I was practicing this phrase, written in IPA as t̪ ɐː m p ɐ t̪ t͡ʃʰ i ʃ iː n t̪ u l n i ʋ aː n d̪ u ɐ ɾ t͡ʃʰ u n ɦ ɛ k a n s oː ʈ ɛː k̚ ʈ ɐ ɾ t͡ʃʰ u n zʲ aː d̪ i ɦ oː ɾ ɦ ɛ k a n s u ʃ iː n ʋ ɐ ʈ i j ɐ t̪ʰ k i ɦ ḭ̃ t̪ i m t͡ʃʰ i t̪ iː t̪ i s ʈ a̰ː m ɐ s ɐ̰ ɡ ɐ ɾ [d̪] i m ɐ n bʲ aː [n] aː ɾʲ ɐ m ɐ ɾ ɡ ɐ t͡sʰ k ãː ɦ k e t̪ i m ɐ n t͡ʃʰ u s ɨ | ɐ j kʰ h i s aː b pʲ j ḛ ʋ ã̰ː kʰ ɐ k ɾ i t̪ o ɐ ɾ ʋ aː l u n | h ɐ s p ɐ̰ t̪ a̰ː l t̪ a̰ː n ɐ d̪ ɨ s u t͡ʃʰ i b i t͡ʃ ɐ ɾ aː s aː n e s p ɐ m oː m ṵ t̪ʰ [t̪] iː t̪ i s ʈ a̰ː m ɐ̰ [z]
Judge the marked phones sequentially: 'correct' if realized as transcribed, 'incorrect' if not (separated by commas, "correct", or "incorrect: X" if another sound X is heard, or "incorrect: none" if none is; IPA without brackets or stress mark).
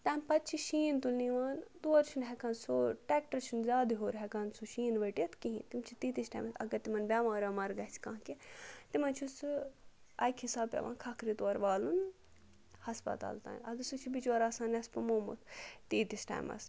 incorrect: t̪, incorrect: m, correct, incorrect: s